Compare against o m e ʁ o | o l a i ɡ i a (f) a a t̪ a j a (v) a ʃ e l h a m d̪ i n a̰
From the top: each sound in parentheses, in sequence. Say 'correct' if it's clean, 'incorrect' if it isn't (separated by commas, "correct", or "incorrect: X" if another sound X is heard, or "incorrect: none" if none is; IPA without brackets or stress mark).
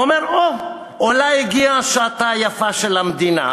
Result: incorrect: ʃ, incorrect: f